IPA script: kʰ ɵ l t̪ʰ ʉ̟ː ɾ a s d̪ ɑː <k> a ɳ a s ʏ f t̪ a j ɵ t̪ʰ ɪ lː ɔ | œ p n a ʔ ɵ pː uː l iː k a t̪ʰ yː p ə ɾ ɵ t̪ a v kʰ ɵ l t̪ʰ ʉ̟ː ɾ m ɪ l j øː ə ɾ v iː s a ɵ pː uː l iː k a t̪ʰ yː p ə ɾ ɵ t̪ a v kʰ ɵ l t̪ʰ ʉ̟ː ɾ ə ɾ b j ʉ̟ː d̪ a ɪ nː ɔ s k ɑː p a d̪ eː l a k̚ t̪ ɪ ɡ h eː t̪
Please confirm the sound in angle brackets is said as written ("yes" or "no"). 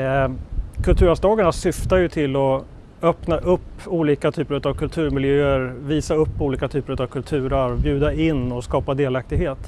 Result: no